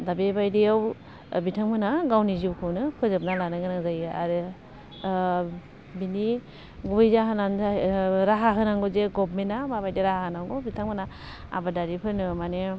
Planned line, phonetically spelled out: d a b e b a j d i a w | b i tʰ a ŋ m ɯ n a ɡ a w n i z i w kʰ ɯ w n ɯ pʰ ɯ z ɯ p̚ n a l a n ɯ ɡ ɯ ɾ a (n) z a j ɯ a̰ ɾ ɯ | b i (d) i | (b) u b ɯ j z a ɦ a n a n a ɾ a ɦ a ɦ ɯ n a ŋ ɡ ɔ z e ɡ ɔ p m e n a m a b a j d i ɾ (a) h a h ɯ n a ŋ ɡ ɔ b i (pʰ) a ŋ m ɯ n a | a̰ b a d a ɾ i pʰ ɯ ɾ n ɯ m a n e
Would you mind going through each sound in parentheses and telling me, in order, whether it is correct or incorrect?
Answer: incorrect: ŋ, incorrect: n, incorrect: ɡ, correct, incorrect: tʰ

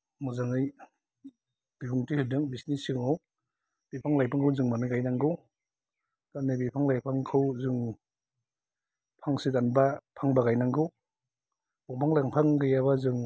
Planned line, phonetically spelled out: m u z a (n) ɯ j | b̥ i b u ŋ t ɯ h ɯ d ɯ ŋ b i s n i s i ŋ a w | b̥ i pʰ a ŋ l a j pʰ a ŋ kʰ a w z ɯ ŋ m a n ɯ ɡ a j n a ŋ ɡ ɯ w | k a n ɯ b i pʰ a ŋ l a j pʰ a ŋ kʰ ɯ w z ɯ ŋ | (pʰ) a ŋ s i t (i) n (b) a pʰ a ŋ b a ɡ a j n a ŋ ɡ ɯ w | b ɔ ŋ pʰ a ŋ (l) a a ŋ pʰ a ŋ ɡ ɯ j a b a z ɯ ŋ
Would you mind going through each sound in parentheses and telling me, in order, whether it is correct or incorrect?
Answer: incorrect: ŋ, correct, incorrect: a, correct, correct

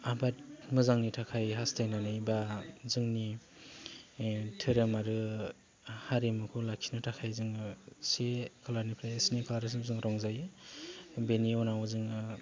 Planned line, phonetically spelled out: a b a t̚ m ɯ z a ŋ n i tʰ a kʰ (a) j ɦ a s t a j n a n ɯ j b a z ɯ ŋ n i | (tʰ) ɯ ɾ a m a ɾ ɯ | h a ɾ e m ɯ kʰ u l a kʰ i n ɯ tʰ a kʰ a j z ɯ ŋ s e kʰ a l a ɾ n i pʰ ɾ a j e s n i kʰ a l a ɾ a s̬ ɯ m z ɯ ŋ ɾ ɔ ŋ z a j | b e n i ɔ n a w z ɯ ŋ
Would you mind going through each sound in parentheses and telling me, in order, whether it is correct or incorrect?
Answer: correct, correct

